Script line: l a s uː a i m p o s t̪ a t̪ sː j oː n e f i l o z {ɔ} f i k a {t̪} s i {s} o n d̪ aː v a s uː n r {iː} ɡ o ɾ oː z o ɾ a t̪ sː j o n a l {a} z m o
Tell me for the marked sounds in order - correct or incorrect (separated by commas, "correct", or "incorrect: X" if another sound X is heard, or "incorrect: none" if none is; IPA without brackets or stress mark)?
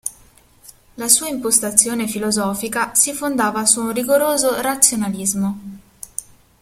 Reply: incorrect: ɔː, incorrect: none, incorrect: f, incorrect: i, incorrect: i